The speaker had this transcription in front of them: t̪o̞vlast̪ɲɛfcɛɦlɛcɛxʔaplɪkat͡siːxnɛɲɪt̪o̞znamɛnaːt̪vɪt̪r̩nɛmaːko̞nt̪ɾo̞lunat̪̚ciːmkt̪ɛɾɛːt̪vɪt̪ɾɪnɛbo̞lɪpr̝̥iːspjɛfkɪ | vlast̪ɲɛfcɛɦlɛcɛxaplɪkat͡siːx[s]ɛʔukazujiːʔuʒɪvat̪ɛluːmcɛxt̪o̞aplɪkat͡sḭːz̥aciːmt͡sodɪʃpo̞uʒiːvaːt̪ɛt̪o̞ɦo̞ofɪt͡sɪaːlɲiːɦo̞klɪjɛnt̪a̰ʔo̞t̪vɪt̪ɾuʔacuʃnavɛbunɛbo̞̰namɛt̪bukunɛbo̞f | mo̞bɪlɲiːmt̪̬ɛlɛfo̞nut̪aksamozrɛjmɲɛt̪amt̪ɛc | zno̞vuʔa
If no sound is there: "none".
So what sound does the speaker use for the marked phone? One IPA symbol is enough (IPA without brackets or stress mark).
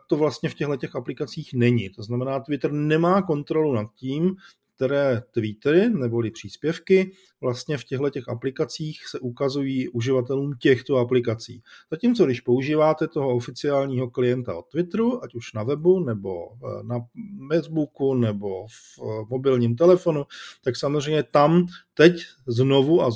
s